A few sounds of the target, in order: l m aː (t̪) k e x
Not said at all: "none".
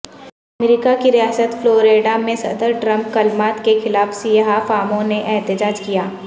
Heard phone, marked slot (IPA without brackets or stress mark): t̪